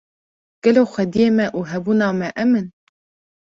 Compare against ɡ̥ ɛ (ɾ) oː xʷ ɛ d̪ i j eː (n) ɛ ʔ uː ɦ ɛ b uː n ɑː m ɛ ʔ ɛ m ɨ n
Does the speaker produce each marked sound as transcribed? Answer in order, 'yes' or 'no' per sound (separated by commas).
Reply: no, no